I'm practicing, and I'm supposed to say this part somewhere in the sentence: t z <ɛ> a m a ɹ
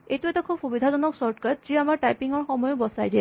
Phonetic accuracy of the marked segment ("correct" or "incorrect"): incorrect